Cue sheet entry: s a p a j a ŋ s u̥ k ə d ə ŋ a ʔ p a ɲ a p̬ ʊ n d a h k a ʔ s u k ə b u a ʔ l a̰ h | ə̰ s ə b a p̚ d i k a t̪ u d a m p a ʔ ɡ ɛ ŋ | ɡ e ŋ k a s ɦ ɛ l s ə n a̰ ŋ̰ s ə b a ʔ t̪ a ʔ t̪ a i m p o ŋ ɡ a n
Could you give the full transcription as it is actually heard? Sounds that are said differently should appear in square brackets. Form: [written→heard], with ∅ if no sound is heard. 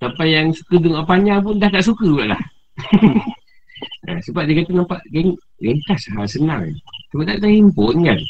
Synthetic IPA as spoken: s a p a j a ŋ s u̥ k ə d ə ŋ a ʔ p a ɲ a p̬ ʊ n d a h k a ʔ s u k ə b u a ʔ l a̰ h | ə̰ s ə b a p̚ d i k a t̪ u [d→n] a m p a ʔ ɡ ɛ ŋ | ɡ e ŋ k a s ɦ [ɛ→a] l s ə n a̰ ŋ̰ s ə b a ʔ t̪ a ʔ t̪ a i m p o [ŋ→n] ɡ a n